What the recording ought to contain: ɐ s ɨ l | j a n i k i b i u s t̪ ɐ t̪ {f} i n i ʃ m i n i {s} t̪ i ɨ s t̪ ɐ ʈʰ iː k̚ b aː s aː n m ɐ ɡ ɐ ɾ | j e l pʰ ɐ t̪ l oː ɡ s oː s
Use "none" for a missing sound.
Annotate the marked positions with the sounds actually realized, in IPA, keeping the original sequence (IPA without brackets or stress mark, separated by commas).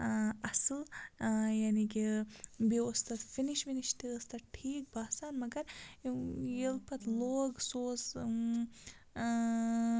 f, ʃ